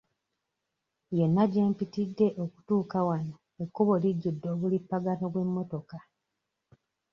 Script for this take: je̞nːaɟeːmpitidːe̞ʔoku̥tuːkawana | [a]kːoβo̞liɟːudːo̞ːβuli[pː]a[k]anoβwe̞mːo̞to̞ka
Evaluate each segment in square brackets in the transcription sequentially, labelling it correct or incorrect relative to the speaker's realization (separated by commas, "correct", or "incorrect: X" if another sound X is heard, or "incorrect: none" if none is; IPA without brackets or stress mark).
incorrect: e, correct, incorrect: ɡ